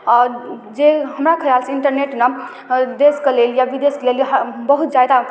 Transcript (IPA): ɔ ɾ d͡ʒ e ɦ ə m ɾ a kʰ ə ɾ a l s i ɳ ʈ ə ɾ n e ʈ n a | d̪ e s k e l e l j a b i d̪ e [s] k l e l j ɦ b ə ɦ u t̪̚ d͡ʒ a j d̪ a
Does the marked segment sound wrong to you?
no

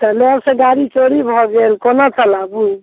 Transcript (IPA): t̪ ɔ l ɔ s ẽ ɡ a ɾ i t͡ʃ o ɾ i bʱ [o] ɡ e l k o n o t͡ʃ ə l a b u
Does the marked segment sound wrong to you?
yes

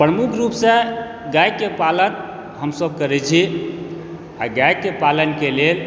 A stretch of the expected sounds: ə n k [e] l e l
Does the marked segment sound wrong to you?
no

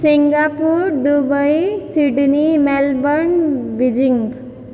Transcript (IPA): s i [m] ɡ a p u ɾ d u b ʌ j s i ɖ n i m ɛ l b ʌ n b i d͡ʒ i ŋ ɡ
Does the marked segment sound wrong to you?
yes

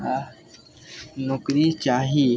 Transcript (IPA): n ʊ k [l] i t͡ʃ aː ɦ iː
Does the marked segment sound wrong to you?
yes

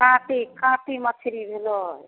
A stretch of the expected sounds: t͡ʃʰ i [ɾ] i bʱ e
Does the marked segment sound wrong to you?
no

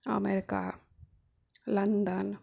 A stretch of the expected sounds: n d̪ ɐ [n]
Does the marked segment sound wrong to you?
no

